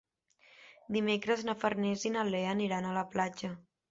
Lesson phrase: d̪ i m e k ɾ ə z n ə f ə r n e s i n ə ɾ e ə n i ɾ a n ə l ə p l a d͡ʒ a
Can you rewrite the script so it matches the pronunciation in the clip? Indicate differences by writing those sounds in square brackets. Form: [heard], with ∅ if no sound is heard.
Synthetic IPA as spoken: d̪ i m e k ɾ ə z n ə f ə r n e [z] i n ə [l] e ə n i ɾ a n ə l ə p l a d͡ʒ [ə]